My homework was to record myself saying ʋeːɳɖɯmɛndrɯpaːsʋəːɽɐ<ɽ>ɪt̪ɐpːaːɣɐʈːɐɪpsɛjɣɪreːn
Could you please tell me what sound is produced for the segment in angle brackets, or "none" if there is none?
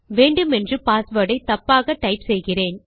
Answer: none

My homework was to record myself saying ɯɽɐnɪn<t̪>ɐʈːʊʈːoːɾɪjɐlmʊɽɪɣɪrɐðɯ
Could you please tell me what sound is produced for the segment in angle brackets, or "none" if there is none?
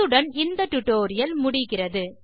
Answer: d̪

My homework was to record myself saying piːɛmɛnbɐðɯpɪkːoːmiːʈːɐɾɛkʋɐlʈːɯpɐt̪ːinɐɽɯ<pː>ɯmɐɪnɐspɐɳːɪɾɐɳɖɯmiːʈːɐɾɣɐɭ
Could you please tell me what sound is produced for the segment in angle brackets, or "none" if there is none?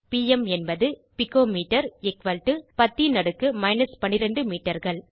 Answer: kː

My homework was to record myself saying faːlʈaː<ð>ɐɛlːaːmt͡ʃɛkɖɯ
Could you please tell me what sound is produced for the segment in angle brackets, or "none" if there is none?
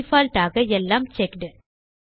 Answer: ɣ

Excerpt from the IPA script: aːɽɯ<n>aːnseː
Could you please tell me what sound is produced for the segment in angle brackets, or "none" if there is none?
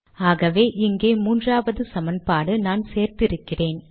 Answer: n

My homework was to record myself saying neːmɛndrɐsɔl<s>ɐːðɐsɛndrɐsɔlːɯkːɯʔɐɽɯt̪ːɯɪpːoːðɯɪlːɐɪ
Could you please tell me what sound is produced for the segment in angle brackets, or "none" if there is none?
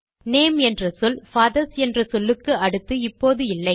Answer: f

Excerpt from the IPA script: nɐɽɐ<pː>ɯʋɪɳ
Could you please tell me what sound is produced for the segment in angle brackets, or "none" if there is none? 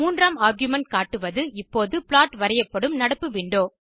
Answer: pː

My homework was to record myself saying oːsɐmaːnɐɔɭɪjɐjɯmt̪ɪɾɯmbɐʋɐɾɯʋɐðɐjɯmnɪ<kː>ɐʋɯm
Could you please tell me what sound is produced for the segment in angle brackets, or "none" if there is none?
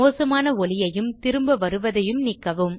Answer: kː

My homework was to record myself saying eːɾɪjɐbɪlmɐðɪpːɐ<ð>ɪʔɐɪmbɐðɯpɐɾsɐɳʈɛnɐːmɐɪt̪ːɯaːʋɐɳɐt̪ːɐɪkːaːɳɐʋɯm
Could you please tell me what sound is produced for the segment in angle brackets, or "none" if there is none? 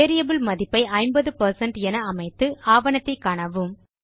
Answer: none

